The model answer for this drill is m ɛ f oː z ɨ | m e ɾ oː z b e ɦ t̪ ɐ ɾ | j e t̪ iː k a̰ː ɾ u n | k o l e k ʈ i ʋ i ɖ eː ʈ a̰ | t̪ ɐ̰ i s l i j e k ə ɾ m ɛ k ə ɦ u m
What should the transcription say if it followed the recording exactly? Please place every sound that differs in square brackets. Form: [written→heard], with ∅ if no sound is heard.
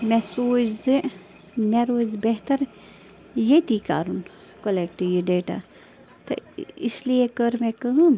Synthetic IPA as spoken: m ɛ [f→s] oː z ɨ | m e ɾ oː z b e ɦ t̪ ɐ ɾ | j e t̪ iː k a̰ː ɾ u n | k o l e k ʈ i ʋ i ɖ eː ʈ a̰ | t̪ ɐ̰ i s l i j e k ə ɾ m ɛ k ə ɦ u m